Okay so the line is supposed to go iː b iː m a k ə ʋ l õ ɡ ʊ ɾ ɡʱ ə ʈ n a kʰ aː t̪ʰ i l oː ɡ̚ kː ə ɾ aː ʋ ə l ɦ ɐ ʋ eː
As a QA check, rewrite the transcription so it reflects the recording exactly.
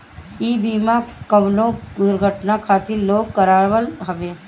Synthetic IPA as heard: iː b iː m a k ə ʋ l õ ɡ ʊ ɾ ɡʱ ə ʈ n a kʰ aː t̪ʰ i l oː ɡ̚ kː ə ɾ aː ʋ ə l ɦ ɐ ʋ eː